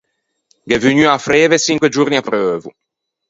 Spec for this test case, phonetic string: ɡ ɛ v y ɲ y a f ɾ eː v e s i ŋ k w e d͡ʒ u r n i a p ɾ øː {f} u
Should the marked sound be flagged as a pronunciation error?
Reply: yes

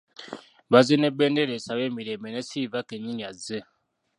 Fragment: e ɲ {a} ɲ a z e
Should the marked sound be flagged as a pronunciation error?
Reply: yes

